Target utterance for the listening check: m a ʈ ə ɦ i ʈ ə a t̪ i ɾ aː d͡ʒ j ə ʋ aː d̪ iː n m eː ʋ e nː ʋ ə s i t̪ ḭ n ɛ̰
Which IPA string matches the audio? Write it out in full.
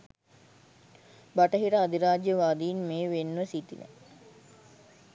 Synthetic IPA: b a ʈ ə ɦ i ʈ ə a d̪ i ɾ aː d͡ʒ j ə ʋ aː d̪ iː n m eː ʋ e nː ʋ ə s i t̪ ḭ n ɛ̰